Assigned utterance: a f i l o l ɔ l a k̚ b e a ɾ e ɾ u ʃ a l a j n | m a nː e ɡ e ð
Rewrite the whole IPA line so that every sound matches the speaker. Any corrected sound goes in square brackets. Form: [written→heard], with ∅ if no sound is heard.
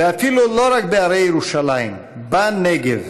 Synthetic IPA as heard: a f i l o l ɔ [l→ɾ] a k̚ b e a ɾ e ɾ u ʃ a l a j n | [m→b] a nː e ɡ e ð